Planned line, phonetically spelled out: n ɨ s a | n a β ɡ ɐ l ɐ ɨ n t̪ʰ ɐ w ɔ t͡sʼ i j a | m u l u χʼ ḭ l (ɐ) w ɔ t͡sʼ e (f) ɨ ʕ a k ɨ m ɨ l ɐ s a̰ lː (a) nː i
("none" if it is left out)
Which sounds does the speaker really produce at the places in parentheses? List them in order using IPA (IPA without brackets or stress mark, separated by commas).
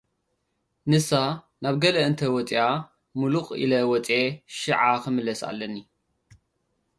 ɐ, ʃ, ɐ